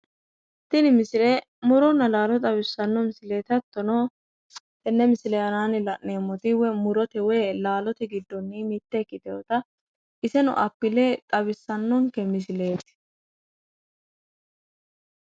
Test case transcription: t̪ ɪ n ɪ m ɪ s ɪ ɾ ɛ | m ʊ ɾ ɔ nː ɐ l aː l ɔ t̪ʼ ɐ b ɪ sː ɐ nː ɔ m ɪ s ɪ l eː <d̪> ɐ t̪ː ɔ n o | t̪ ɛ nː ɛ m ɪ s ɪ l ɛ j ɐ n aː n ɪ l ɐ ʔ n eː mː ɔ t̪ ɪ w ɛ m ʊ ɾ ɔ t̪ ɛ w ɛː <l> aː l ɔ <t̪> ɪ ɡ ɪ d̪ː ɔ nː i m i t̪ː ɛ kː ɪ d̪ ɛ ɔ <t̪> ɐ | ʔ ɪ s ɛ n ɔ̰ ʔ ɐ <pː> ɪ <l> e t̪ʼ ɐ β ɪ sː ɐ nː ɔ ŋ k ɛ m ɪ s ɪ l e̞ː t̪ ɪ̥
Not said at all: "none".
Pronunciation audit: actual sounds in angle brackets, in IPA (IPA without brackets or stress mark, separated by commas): t̪, l, t̪, t̪, pː, l